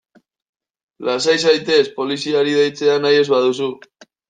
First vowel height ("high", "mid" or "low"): low